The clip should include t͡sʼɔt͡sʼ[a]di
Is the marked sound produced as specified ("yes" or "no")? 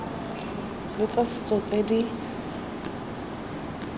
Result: no